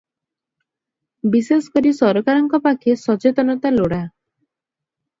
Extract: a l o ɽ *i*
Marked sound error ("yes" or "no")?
yes